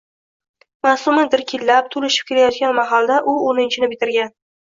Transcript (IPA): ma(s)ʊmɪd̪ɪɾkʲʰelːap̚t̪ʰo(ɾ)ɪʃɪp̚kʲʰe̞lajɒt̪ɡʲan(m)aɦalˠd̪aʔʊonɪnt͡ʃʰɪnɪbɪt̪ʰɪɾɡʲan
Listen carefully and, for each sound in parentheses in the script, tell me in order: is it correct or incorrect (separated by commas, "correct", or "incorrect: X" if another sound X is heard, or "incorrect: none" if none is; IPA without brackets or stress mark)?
correct, incorrect: l, correct